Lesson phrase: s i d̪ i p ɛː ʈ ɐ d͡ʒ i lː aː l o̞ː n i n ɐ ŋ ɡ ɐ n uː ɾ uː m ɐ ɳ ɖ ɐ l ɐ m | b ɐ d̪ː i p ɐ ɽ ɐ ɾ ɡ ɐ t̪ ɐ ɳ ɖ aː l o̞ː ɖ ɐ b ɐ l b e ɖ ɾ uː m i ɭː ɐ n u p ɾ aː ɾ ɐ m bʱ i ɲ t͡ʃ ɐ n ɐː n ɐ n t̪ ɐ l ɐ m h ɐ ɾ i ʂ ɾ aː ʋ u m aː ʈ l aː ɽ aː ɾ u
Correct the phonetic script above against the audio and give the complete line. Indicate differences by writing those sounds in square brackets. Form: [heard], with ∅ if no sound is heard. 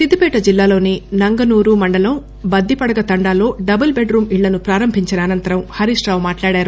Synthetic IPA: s i d̪ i p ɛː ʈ ɐ d͡ʒ i lː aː l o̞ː n i n ɐ ŋ ɡ ɐ n uː ɾ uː m ɐ ɳ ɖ ɐ l ɐ m | b ɐ d̪ː i p ɐ ɽ ɐ [∅] ɡ ɐ t̪ ɐ ɳ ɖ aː l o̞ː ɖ ɐ b ɐ l b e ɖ ɾ uː m i ɭː ɐ n u p ɾ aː ɾ ɐ m bʱ i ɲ t͡ʃ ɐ n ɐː n ɐ n t̪ ɐ [ɾ] ɐ m h ɐ ɾ i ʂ ɾ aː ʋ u m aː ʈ l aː ɽ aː ɾ u